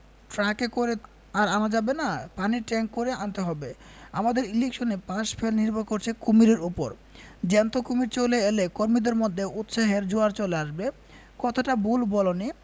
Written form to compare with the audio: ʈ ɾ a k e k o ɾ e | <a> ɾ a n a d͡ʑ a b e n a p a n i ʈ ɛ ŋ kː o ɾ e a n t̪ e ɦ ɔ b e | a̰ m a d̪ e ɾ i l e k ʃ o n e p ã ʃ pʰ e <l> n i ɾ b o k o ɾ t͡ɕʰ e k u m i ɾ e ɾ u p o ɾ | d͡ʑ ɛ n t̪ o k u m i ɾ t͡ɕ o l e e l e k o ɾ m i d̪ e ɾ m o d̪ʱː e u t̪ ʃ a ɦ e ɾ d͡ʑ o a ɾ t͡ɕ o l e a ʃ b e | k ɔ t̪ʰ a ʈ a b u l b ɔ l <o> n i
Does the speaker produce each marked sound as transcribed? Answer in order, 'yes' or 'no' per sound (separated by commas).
yes, yes, yes